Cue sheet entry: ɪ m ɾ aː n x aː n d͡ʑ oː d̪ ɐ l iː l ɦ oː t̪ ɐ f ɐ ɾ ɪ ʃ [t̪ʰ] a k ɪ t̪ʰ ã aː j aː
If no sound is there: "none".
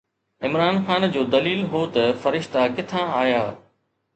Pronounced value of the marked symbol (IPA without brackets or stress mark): t̪